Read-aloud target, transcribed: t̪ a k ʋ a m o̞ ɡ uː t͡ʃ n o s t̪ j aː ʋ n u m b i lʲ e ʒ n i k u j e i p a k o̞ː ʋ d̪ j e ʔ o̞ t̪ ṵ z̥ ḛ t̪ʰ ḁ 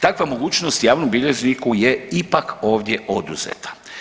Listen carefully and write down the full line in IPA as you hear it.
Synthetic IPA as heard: t̪ a k ʋ a m o̞ ɡ uː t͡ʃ n o s t̪ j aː ʋ n o m b i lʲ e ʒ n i k u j e i p a k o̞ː ʋ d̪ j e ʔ o̞ d̪ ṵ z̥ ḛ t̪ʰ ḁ